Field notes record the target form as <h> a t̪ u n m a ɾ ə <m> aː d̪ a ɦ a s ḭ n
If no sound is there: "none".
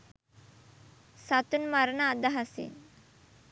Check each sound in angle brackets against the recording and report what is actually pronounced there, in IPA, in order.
s, n

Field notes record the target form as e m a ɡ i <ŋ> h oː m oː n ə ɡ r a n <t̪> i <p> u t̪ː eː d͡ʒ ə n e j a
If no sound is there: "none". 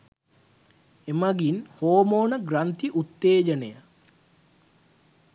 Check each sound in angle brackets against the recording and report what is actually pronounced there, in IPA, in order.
n, t̪, ʔ

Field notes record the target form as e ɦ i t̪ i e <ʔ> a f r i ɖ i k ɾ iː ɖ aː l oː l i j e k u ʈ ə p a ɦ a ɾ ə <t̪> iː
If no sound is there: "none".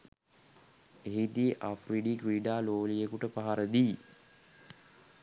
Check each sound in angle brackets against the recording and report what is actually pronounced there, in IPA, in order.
ʔ, d̪

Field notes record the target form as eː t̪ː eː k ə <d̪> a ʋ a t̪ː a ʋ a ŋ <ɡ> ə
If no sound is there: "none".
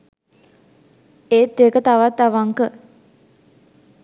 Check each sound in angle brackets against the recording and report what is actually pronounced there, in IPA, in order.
t̪, k

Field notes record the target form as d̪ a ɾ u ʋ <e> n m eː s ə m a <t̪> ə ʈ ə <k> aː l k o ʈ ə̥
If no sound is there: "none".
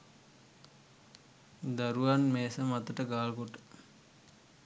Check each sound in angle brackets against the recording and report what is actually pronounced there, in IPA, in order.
a, t̪, ɡ

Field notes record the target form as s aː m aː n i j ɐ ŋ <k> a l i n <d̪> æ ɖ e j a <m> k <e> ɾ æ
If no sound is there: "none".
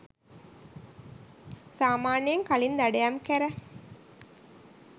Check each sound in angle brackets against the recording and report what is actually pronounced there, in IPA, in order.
k, d̪, m, æ

